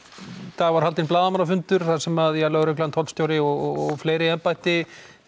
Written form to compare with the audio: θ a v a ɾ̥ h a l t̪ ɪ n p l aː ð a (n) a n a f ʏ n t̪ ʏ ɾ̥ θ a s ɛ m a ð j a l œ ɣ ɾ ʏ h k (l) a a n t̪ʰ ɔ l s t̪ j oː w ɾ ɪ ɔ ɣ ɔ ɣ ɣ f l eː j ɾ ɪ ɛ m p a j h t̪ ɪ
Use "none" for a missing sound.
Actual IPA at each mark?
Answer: m, l

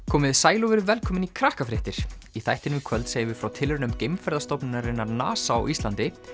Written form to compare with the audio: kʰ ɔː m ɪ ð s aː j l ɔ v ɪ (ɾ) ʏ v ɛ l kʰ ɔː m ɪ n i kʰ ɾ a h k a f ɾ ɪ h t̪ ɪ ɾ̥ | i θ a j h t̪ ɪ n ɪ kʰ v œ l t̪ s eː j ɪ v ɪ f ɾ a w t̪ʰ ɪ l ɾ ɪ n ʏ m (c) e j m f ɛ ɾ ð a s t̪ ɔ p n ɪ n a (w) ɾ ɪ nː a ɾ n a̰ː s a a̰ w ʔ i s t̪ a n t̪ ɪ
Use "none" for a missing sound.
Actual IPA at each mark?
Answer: ɾ, c, none

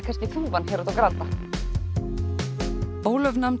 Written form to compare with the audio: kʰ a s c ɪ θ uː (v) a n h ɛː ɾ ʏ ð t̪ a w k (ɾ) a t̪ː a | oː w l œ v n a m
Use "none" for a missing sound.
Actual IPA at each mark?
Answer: v, ɾ

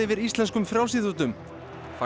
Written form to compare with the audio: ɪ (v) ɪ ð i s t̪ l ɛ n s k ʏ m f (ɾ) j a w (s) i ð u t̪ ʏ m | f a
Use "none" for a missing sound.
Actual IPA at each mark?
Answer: v, ɾ, s

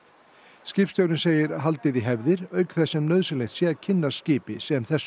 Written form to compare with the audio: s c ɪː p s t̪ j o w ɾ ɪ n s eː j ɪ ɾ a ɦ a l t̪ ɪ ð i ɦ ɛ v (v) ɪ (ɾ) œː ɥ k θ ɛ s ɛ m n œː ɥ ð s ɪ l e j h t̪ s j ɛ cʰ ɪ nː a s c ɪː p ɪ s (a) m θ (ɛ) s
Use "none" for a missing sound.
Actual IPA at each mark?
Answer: ð, ɾ, ɛ, ɛ

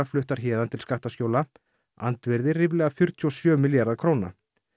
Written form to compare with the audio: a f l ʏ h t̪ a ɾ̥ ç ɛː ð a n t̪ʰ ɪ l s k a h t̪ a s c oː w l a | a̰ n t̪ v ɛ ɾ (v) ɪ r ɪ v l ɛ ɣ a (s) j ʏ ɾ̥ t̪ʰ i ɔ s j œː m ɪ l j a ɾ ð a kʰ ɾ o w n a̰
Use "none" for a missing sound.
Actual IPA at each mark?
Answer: ð, f

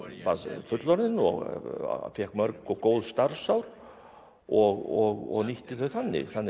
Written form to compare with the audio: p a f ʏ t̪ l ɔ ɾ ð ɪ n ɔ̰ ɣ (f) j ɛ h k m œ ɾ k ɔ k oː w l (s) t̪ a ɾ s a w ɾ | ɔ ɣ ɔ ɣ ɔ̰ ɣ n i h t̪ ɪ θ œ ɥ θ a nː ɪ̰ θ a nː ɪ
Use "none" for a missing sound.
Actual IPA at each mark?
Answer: f, s

